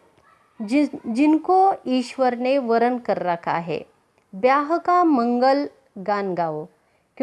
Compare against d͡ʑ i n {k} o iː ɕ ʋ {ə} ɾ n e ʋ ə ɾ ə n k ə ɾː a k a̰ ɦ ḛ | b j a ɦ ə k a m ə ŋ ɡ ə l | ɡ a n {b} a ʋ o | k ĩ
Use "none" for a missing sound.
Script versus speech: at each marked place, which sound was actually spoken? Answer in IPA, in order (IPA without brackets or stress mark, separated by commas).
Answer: k, ə, ɡ